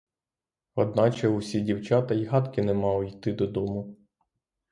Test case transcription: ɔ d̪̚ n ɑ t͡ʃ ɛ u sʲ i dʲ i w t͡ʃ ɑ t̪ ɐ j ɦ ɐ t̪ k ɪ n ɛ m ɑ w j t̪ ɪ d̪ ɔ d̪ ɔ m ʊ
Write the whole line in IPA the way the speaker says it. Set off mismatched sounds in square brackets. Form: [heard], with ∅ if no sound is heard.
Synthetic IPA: ɔ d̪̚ n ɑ t͡ʃ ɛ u sʲ i dʲ i w t͡ʃ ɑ t̪ ɐ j ɦ [ɑ] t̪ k ɪ n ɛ m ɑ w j t̪ ɪ d̪ ɔ d̪ ɔ m ʊ